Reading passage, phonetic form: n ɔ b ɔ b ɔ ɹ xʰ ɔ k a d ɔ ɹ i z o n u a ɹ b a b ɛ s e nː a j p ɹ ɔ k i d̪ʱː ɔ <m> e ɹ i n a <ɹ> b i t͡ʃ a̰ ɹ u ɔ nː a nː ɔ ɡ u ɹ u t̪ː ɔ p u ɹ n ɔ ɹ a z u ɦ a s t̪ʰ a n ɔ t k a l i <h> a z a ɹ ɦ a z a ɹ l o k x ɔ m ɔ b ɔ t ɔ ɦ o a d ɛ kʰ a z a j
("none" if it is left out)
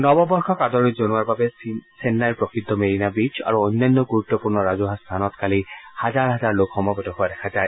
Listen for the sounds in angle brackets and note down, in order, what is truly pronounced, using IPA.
m, none, h

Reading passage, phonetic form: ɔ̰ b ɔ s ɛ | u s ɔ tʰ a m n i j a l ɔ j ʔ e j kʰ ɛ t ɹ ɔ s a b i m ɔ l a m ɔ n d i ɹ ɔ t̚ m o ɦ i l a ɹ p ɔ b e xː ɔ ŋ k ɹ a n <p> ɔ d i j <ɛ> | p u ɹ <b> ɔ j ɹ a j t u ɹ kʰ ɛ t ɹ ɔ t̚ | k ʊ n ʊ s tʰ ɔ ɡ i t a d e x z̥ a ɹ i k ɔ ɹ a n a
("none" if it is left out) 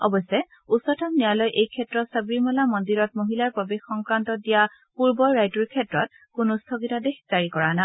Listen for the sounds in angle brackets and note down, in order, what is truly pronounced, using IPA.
t, a, b

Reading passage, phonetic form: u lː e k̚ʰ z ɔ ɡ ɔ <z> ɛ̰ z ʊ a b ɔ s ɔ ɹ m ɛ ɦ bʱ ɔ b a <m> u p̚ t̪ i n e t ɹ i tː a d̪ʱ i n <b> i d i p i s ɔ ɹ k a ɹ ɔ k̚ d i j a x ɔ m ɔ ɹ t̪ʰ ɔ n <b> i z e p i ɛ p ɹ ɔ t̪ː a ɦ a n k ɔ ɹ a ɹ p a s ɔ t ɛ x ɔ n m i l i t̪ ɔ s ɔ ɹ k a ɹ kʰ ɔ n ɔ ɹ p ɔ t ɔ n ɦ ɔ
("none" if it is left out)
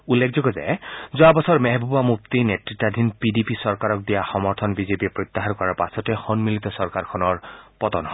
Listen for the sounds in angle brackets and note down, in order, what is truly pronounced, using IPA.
z, m, p, b

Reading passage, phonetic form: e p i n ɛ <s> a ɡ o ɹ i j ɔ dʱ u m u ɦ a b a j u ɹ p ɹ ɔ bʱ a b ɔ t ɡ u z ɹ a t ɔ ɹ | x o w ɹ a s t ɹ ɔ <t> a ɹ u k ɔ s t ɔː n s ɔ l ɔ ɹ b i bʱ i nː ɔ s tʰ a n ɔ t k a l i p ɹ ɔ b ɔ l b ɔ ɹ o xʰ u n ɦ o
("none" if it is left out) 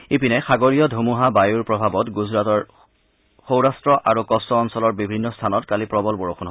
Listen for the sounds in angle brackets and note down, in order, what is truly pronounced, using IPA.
x, ʔ

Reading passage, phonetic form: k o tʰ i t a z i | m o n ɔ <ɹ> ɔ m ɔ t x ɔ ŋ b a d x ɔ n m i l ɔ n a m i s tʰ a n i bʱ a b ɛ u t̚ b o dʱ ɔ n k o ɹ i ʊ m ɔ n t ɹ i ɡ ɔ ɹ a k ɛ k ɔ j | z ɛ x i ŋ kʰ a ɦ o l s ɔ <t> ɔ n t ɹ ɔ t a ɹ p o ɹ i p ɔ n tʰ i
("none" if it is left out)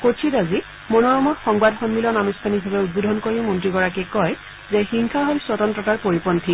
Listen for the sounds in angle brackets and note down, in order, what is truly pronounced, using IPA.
ɹ, t

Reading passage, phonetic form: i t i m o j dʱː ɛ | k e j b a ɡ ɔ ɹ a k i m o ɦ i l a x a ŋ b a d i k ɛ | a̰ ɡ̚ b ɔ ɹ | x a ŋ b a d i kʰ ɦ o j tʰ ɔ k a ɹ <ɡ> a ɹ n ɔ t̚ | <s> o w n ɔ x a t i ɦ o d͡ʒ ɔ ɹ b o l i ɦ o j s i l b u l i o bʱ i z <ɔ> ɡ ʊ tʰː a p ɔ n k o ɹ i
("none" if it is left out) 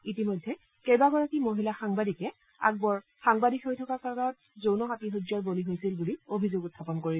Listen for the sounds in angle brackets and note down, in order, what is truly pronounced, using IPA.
k, z, o

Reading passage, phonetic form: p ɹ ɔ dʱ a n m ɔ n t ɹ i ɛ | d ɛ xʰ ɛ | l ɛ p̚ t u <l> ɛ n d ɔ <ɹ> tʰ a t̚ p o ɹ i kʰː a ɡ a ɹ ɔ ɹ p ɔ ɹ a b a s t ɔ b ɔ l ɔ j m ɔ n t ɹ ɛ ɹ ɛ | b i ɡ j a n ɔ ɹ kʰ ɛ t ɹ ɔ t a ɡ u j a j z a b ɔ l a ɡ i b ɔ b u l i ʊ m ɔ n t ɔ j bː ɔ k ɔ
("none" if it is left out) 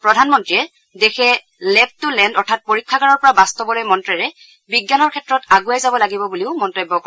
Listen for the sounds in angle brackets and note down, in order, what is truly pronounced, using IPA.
l, ɹ

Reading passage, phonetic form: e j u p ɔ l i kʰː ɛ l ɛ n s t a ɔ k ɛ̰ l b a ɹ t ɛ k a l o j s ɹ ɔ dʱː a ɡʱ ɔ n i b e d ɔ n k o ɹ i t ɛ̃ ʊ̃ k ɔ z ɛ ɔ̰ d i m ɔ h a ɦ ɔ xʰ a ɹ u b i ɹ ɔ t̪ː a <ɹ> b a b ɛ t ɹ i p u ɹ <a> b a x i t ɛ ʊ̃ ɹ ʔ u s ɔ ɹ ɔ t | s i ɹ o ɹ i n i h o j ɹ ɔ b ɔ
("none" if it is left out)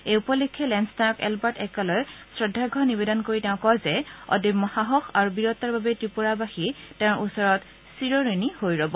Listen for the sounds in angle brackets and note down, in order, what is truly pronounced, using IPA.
ɹ, a

